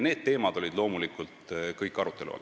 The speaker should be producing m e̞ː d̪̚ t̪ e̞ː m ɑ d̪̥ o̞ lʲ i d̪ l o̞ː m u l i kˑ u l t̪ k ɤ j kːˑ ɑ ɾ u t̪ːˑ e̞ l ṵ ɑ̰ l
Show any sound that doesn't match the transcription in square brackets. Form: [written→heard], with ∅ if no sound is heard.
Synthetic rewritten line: [m→n] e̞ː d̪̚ t̪ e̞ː m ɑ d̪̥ o̞ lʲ i d̪ l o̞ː m u l i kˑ u l t̪ k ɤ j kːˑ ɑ ɾ u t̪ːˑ e̞ l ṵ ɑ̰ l